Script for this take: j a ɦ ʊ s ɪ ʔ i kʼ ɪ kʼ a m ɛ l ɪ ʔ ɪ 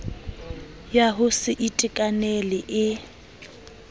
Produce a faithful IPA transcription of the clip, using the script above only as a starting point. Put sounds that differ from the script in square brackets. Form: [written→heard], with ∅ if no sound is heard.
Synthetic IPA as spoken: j a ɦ ʊ s ɪ ʔ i [kʼ→tʼ] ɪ kʼ a [m→n] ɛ l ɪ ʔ ɪ